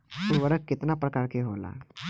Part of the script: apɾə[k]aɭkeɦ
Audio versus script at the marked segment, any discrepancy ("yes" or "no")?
no